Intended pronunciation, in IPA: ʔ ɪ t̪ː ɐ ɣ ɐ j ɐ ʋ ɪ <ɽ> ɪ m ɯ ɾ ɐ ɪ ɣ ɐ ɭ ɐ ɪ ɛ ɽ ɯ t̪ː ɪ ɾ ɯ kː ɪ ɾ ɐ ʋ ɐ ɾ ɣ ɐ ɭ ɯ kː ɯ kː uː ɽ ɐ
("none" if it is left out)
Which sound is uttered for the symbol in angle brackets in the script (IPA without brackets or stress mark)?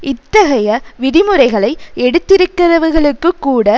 ɽ